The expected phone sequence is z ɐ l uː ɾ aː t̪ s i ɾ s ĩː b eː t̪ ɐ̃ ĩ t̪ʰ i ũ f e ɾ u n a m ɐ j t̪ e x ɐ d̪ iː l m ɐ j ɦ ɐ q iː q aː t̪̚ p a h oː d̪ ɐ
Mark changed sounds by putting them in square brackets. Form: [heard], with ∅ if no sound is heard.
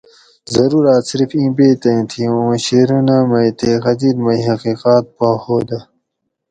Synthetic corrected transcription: z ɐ [ɾ] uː ɾ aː t̪ s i ɾ [f] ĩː b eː t̪ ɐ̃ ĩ t̪ʰ i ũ [ɕ] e ɾ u n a m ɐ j t̪ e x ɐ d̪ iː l m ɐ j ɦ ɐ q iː q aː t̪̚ p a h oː d̪ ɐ

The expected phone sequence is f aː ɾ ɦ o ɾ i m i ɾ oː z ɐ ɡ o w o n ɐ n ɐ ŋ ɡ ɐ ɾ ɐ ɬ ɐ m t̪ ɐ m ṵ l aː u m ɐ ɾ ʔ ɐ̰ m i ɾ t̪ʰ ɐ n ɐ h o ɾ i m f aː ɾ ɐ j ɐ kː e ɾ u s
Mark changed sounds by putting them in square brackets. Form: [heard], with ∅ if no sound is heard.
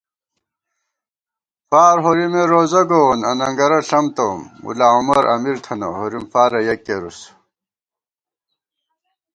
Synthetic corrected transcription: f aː ɾ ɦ o ɾ i m [e] ɾ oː z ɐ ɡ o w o n ɐ n ɐ ŋ ɡ ɐ ɾ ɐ ɬ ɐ m t̪ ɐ m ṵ l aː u m ɐ ɾ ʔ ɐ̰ m i ɾ t̪ʰ ɐ n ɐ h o ɾ i m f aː ɾ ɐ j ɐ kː e ɾ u s

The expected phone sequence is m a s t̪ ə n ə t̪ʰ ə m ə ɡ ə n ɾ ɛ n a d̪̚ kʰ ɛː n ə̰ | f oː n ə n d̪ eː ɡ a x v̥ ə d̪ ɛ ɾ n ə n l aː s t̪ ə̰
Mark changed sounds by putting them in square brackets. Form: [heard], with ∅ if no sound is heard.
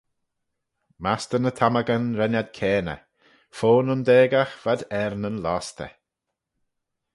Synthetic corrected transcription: m a s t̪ ə n ə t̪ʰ [a] m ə ɡ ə n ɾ ɛ n a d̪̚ kʰ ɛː n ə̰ | f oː n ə n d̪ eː ɡ a x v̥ [a] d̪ ɛ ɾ n ə n l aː s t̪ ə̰

